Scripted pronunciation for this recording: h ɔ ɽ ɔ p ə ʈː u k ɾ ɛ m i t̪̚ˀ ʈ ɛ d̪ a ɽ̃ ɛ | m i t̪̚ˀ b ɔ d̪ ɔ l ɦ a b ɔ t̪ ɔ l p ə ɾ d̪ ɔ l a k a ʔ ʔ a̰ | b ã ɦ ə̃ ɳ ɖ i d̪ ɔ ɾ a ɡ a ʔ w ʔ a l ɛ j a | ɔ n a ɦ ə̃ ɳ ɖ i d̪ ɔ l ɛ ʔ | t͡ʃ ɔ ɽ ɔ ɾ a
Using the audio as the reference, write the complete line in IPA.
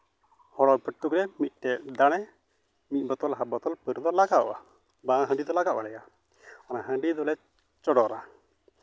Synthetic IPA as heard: h ɔ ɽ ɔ p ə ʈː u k ɾ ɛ m i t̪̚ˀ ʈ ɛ d̪ a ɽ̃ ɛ | m i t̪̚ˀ b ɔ t̪ ɔ l ɦ a b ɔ t̪ ɔ l p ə ɾ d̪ ɔ l a ɡ a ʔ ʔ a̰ | b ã ɦ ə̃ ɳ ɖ i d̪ ɔ l a ɡ a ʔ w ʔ a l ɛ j a | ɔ n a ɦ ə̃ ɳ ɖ i d̪ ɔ l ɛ | t͡ʃ ɔ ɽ ɔ ɾ a